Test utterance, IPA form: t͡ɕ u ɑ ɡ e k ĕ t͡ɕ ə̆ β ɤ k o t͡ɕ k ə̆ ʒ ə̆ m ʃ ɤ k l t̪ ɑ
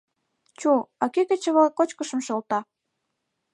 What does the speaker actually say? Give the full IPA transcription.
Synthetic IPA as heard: t͡ɕ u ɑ k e k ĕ t͡ɕ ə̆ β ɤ k o t͡ɕ k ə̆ ʃ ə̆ m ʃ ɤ l t̪ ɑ